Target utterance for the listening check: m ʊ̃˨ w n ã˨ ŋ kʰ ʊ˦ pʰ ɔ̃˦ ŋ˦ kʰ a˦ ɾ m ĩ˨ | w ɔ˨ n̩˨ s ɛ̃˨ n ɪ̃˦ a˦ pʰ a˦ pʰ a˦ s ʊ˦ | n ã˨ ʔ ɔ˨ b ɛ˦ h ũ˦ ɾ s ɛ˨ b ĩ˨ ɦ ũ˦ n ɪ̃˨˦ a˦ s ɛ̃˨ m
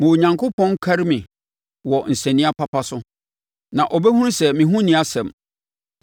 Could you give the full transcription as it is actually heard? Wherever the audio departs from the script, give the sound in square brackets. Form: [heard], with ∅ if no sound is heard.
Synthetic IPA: m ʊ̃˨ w [ɲ] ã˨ ŋ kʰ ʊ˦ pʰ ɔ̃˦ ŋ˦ kʰ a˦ ɾ m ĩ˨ | w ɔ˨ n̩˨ s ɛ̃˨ n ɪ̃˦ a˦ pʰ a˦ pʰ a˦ s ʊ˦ | n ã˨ ʔ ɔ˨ b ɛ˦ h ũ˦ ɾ s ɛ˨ [m] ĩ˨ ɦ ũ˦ n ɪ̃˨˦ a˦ s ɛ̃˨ m